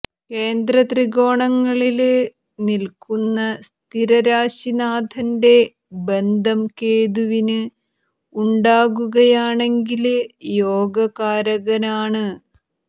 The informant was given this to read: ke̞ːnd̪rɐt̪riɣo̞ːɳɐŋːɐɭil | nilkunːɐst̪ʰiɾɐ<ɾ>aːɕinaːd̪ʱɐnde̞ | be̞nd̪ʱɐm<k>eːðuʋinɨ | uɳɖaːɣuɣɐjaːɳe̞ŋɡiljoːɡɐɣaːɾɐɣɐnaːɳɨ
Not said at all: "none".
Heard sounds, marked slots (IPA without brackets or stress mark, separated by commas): ɾ, k